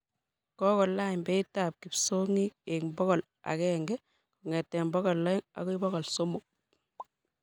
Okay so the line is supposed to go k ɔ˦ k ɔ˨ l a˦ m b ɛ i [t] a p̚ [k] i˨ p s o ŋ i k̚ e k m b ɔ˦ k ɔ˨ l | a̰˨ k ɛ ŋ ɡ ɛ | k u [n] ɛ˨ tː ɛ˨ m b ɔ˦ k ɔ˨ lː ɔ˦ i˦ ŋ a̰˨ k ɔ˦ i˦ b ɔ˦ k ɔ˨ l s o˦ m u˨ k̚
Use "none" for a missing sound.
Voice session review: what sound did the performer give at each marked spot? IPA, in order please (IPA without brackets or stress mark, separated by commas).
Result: t, k, ŋ